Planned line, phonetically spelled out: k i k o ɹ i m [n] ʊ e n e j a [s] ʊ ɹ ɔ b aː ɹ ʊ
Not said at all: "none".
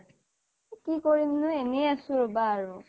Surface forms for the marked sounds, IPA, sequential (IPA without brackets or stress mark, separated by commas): n, s